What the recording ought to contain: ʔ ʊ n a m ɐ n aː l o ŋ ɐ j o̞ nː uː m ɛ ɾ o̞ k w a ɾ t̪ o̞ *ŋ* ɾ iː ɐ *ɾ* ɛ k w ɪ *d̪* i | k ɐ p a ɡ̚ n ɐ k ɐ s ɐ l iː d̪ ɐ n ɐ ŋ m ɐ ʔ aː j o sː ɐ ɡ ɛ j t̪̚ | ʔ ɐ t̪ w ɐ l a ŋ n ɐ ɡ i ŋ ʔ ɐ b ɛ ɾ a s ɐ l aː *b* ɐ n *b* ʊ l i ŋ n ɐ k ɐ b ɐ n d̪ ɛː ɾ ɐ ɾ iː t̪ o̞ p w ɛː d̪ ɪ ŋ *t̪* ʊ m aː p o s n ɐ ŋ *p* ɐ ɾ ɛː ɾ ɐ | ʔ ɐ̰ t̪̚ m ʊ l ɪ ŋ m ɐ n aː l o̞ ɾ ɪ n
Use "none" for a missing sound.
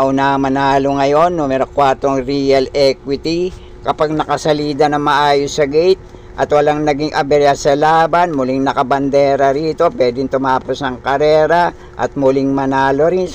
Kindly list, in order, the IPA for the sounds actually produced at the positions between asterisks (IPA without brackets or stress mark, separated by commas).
ŋ, l, t̪, b, m, t̪, k